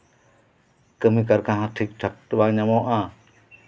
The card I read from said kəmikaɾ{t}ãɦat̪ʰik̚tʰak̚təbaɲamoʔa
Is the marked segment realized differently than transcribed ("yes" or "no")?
yes